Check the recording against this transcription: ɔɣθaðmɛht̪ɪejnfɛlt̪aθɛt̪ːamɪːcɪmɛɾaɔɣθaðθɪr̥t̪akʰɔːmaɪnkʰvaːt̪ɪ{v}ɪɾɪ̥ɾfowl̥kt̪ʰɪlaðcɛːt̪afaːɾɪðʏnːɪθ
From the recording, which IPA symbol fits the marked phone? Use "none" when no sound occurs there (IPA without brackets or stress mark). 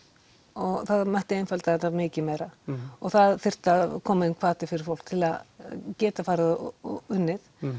f